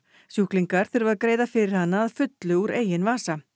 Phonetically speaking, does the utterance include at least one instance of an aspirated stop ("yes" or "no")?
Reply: no